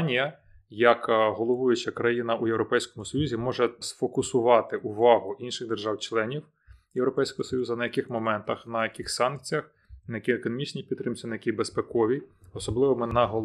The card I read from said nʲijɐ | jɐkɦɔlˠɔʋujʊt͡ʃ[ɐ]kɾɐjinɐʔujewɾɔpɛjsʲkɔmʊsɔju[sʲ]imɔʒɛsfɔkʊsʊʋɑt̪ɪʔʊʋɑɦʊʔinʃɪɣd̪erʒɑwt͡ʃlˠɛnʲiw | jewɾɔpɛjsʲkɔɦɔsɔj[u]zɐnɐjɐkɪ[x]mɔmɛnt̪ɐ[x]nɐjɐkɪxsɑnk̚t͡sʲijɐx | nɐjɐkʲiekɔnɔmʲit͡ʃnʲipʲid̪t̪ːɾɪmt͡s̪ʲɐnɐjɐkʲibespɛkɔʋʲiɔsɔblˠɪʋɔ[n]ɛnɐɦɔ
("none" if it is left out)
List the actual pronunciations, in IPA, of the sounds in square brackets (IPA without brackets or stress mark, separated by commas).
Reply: ɐ, zʲ, u, x, x, m